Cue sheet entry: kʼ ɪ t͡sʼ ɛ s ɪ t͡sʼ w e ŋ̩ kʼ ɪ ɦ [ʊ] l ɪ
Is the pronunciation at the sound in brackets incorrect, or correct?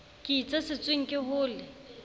incorrect